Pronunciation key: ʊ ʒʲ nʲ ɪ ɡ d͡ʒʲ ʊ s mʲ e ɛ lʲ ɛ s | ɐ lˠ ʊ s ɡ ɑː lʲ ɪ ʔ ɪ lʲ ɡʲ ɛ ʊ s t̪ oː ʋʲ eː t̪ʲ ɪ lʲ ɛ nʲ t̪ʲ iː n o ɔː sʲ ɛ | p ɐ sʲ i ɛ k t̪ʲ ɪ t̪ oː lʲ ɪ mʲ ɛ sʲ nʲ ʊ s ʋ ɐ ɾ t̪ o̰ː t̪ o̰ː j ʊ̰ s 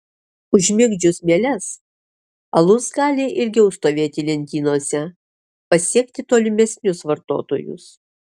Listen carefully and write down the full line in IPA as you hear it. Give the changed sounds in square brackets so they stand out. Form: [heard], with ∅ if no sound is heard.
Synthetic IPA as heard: ʊ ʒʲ [mʲ] ɪ ɡ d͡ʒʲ ʊ s mʲ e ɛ lʲ ɛ s | ɐ lˠ ʊ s ɡ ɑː lʲ ɪ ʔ ɪ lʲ ɡʲ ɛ ʊ s t̪ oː ʋʲ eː t̪ʲ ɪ lʲ ɛ nʲ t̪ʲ iː n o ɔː sʲ ɛ | p ɐ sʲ i ɛ k t̪ʲ ɪ t̪ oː lʲ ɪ mʲ ɛ sʲ nʲ ʊ s ʋ ɐ ɾ t̪ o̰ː t̪ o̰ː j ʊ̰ s